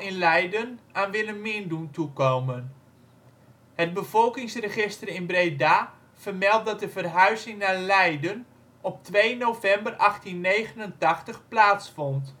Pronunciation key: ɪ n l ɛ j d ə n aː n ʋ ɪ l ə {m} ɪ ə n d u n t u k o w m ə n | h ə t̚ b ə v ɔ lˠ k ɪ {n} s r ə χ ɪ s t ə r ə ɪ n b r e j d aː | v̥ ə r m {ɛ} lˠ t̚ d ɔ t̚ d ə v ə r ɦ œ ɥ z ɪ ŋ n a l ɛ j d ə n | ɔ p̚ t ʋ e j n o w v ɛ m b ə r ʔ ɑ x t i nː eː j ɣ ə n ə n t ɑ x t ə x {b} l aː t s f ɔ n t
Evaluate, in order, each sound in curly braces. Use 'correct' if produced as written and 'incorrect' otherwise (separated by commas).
correct, incorrect, correct, incorrect